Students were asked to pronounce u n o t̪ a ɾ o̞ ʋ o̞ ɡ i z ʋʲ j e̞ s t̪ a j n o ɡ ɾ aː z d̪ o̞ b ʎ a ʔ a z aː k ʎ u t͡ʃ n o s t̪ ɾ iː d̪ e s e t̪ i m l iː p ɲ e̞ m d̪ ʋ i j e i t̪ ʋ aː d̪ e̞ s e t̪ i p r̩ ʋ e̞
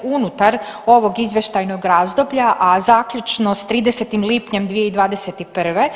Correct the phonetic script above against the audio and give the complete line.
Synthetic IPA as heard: u n u t̪ a ɾ o̞ ʋ o̞ ɡ i z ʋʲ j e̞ ʃ t̪ a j n o ɡ ɾ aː z d̪ o̞ b ʎ a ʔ a z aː k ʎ u t͡ʃ n o s t̪ ɾ iː d̪ e s e t̪ i m l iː p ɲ e̞ m d̪ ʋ i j e i d̪ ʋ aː d̪ e̞ s e t̪ i p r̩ ʋ e̞